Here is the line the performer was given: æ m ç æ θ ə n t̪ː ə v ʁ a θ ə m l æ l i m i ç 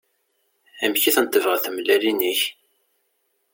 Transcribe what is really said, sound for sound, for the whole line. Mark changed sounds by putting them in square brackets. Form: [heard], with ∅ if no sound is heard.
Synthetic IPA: æ m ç [i] θ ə n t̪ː ə v ʁ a θ ə m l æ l i [n] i ç